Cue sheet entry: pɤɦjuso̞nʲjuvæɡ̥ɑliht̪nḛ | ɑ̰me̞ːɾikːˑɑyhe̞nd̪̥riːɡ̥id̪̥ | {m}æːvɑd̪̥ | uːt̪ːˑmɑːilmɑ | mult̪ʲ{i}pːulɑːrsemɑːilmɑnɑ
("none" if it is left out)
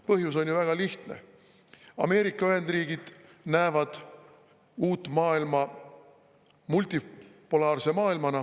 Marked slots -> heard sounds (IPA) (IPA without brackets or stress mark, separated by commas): n, i